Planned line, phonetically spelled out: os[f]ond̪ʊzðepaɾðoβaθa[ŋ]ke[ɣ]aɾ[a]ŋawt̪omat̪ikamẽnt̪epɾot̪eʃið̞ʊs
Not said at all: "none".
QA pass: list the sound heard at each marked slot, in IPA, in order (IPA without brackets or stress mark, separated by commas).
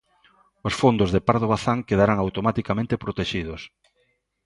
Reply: f, ŋ, ð, a